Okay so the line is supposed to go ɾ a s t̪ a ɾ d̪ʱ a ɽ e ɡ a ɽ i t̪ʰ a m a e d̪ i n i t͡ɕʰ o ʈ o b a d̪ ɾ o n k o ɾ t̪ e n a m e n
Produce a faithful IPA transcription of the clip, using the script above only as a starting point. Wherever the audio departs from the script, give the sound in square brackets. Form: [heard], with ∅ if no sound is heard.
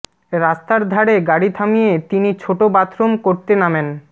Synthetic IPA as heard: ɾ a s t̪ a ɾ d̪ʱ a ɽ e ɡ a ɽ i t̪ʰ a m [i] e [t̪] i n i t͡ɕʰ o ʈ o b a [t̪] ɾ o [m] k o ɾ t̪ e n a m e n